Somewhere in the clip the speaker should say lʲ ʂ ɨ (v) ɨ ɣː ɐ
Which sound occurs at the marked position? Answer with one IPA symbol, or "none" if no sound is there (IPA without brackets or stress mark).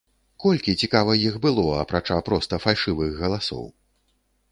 v